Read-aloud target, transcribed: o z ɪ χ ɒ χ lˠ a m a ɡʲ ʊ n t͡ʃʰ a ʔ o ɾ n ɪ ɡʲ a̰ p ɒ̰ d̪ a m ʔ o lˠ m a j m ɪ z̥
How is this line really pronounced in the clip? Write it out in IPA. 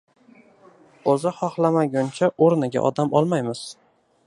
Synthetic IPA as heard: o z ɪ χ ɒ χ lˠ a m a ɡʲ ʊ n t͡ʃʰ a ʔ o ɾ n ɪ ɡʲ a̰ ʔ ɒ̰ d̪ a m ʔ ɒ lˠ m a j m ɪ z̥